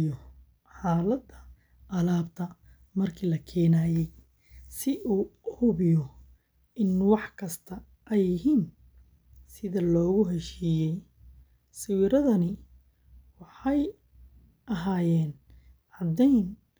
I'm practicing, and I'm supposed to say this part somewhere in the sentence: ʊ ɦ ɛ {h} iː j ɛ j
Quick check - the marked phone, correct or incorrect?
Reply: incorrect